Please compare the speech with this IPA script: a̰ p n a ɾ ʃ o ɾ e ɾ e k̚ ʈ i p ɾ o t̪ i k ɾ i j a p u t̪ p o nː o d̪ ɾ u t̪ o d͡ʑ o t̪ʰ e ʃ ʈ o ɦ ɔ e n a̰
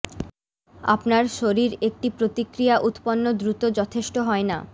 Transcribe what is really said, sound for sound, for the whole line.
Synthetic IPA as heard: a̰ p n a ɾ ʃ o ɾ i ɾ e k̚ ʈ i p ɾ o t̪ i k ɾ i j a ʔ u t̪ p o nː o d̪ ɾ u t̪ o d͡ʑ ɔ t̪ʰ e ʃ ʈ o ɦ ɔ e n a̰